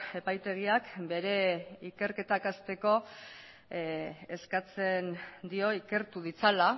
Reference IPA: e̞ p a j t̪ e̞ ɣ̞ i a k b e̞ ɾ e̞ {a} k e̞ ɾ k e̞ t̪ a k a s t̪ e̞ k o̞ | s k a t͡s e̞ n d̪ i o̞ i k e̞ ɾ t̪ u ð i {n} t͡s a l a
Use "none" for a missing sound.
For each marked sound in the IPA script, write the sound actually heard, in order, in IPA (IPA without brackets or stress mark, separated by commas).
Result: i, none